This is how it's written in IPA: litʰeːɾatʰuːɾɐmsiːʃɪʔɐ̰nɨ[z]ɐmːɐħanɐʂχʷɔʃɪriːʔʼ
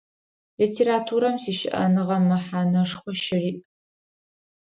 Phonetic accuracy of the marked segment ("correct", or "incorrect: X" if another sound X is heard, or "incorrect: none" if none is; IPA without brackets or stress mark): incorrect: ʁ